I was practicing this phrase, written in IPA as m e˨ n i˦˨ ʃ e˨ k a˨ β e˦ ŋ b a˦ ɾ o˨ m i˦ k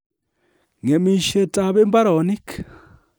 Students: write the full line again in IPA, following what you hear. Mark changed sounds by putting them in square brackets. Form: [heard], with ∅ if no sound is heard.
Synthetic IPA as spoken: [ŋ] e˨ [m] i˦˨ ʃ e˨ [t] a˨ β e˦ [m] b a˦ ɾ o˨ [n] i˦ k